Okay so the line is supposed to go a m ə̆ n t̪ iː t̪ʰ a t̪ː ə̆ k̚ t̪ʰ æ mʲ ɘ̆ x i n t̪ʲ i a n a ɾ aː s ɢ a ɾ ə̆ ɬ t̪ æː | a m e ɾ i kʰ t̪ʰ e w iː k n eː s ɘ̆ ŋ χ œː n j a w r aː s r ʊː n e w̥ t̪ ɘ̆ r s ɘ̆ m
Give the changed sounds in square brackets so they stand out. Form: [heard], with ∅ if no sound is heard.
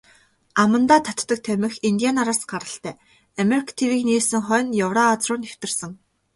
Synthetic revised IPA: a m ə̆ n t̪ [aː] t̪ʰ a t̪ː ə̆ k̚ t̪ʰ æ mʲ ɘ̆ x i n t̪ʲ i a n a ɾ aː s ɢ a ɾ ə̆ ɬ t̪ æː | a m e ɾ i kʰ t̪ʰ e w iː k n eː s ɘ̆ ŋ χ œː n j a w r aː [t͡s] r ʊː n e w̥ t̪ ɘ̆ r s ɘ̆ [ŋ]